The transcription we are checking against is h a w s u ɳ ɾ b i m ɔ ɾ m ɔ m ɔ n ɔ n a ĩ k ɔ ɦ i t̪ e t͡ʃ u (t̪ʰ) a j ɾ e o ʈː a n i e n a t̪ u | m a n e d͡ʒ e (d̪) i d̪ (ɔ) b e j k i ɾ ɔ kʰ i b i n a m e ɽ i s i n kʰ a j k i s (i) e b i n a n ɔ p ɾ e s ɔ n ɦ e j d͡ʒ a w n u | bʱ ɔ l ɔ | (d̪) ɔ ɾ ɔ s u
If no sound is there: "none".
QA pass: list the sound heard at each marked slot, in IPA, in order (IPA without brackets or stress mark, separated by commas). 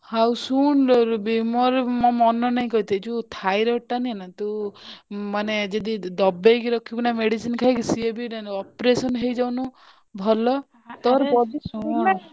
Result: t̪ʰ, d̪, ɔ, i, t̪